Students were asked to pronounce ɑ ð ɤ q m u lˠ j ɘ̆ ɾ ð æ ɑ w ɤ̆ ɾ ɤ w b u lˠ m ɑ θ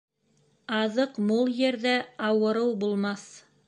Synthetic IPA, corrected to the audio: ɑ ð ɤ q m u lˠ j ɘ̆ ɾ ð æ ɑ w ɤ̆ ɾ ɤ w b u lˠ m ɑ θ